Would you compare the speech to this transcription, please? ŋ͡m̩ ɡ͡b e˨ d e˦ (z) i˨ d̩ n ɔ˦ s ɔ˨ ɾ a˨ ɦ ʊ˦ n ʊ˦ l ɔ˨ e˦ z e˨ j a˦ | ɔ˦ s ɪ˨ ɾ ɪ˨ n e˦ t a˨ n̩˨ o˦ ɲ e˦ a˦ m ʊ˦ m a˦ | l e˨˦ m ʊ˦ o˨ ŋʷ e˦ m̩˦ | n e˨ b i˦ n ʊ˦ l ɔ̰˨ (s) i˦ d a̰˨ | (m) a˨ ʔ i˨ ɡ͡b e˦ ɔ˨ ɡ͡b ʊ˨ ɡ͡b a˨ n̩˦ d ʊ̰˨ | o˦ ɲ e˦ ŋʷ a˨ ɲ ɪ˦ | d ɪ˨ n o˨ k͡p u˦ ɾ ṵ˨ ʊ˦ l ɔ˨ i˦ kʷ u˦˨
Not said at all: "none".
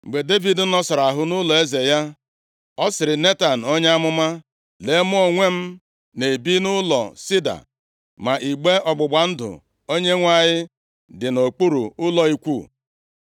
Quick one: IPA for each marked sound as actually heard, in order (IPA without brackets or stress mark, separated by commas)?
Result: v, s, m